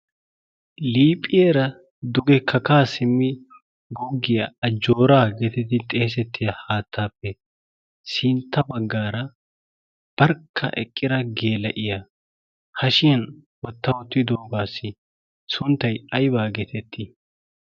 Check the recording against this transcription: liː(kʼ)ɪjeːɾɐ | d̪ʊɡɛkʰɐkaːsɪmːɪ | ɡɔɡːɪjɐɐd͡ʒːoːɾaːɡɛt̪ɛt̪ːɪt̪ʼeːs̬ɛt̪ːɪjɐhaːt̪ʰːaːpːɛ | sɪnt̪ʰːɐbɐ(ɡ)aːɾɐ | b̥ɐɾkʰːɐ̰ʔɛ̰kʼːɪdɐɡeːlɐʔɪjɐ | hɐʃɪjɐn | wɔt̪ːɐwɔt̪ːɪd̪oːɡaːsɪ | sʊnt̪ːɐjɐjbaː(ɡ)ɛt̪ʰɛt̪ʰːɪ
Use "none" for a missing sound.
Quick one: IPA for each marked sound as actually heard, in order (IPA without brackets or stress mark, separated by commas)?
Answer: pʼ, ɡː, ɡ